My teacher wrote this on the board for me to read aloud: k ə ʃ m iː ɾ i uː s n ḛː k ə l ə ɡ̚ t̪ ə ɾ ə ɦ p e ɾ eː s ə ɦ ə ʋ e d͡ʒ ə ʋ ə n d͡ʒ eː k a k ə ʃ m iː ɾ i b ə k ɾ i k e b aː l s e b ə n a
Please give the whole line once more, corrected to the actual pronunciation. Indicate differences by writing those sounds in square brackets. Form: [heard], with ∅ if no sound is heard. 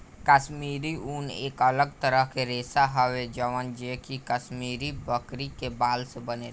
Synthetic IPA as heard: k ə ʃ m iː ɾ i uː [∅] n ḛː k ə l ə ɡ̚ t̪ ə ɾ ə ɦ [k] e ɾ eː s [a] ɦ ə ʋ e d͡ʒ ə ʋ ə n d͡ʒ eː k [i] k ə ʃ m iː ɾ i b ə k ɾ i k e b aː l s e b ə n [e]